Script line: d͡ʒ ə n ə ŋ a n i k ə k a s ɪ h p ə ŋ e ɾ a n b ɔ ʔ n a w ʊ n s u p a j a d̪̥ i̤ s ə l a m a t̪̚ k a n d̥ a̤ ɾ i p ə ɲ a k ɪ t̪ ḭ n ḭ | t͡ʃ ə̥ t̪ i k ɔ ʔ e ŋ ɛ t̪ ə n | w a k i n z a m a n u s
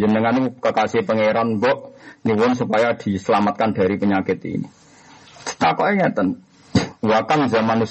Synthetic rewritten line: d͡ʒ ə n ə ŋ a n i k ə k a s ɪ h p ə ŋ e ɾ a n b ɔ ʔ n i w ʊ n s u p a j a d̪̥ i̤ s ə l a m a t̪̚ k a n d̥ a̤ ɾ i p ə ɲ a k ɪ t̪ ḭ n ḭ | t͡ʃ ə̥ t̪ a k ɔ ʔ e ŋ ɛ t̪ ə n | w a k a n z a m a n u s